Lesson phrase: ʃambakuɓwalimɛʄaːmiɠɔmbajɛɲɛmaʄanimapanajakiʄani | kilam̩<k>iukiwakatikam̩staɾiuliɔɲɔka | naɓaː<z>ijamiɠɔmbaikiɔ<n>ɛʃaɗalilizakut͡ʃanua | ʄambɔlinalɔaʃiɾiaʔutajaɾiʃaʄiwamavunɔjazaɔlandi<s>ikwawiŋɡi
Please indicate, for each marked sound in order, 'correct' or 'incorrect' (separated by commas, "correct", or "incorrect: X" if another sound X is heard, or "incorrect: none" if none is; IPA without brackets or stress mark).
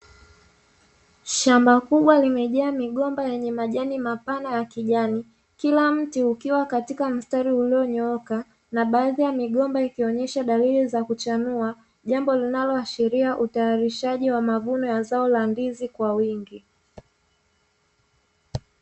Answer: incorrect: t, incorrect: ð, incorrect: ɲ, incorrect: z